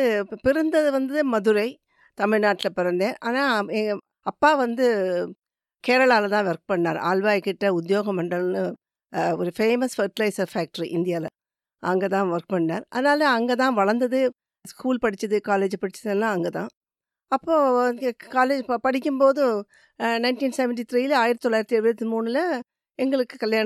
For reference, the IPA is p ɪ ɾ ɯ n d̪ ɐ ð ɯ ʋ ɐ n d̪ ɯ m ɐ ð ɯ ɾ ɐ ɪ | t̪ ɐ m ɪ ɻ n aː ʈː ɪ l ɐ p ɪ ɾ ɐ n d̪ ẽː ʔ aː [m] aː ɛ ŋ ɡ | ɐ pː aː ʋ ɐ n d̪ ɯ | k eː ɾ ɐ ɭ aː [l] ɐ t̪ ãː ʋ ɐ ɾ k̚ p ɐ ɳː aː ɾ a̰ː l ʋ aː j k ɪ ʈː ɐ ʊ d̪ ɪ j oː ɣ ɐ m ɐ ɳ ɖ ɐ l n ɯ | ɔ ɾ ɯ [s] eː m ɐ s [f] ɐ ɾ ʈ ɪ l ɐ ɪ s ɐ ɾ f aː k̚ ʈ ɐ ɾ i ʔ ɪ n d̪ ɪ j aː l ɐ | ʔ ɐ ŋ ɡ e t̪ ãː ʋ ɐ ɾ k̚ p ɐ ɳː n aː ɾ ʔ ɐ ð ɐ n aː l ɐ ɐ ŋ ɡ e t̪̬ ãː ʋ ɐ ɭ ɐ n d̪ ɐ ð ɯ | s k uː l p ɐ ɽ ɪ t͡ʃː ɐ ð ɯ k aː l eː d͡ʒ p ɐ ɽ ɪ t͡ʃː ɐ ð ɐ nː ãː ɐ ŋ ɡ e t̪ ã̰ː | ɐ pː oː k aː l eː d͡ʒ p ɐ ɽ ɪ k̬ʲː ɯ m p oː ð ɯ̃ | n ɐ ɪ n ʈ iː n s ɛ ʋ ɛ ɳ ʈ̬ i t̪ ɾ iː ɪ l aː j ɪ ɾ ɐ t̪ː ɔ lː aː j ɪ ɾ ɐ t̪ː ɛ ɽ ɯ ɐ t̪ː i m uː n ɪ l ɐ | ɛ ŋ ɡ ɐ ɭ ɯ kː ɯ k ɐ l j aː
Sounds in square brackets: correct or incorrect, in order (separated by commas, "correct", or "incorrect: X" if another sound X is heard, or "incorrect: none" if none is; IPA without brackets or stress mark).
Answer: incorrect: n, correct, incorrect: f, correct